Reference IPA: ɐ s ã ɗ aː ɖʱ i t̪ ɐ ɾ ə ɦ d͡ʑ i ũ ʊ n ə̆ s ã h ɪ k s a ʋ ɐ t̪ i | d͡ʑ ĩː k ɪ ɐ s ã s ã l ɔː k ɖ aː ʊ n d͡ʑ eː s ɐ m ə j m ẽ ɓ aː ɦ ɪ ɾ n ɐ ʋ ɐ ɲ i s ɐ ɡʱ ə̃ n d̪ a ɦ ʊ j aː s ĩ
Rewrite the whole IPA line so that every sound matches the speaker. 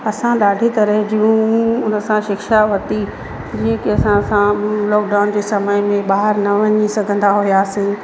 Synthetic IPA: ɐ s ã ɗ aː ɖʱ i t̪ ɐ ɾ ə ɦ d͡ʑ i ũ ʊ n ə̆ s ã ʃ ɪ k ʃ a ʋ ɐ t̪ i | d͡ʑ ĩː k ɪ ɐ s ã s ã l ɔː k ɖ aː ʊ n d͡ʑ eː s ɐ m ə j m ẽ ɓ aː ɦ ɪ ɾ n ɐ ʋ ɐ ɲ i s ɐ ɡʱ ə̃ n d̪ a ɦ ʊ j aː s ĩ